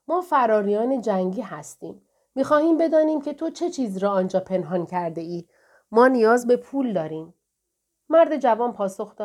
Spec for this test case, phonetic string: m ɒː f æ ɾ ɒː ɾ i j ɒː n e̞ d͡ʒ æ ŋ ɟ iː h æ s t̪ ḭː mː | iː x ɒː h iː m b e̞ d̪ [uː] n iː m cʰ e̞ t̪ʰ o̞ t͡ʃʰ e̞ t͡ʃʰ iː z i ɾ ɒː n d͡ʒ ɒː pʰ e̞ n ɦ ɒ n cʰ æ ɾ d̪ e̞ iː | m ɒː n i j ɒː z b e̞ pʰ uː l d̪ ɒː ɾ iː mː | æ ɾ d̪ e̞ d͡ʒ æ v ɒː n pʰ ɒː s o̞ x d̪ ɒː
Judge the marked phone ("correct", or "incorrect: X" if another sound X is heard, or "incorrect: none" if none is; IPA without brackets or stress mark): incorrect: ɒː